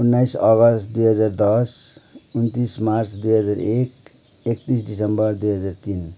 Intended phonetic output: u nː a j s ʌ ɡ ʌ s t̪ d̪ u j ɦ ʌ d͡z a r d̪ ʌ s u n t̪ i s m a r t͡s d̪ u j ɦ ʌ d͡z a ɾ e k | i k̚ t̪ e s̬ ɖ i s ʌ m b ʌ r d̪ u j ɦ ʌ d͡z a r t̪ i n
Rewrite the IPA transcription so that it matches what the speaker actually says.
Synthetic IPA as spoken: u nː a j s ʌ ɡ ʌ s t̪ d̪ u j ɦ ʌ d͡z a r d̪ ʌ s u n t̪ i s m a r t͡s d̪ u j ɦ ʌ d͡z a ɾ e k | e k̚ t̪ i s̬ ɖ i s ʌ m b ʌ r d̪ u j ɦ ʌ d͡z a r t̪ i n